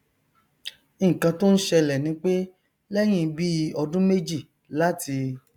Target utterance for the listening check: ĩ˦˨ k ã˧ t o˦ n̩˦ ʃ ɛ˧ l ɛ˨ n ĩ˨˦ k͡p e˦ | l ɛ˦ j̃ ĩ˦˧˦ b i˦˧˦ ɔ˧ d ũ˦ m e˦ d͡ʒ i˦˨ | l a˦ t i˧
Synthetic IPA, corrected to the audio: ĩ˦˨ k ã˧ t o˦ n̩˦ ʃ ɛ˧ l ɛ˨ n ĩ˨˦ k͡p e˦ | l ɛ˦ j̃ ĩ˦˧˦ b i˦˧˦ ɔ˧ d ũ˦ m e˦ d͡ʒ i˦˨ | l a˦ t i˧